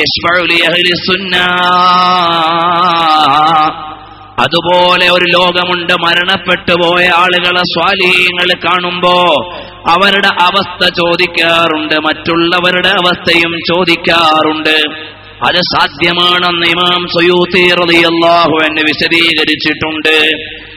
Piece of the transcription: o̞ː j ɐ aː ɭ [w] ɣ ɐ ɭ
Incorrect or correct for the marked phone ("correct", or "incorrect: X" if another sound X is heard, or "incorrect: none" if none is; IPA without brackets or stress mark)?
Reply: incorrect: u